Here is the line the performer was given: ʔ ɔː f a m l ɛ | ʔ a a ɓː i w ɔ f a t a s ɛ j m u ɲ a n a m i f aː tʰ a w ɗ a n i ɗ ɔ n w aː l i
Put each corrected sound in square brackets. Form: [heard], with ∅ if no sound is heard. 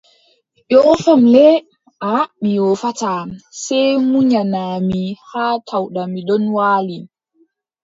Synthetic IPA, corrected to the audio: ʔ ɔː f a m l ɛ | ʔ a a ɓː i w ɔ f a t a s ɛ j m u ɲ a n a m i [h] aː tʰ a w ɗ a [m] i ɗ ɔ n w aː l i